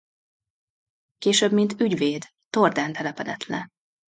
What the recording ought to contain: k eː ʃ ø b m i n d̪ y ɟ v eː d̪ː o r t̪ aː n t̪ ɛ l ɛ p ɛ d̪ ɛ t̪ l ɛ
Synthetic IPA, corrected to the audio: k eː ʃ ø b m i n t̪ y ɟ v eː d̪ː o r d̪ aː n t̪ ɛ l ɛ p ɛ d̪ ɛ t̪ l ɛ